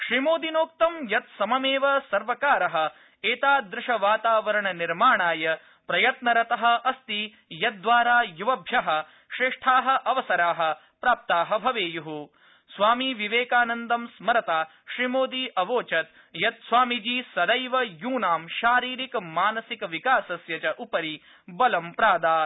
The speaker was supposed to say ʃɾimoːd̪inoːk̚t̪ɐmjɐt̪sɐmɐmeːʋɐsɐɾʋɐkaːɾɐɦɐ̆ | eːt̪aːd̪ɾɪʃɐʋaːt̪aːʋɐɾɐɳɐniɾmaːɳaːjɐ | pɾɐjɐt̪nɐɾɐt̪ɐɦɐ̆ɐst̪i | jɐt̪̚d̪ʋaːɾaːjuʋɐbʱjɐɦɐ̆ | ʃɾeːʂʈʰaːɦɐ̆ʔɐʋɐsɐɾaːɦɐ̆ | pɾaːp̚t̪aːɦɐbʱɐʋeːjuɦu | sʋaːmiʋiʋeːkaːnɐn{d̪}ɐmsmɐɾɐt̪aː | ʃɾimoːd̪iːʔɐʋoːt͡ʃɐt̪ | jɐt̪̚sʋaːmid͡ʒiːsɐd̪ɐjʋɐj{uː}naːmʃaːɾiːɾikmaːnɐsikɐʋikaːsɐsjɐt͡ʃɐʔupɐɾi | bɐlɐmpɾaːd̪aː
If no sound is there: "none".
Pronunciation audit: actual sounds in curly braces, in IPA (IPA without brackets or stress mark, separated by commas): d̪, uː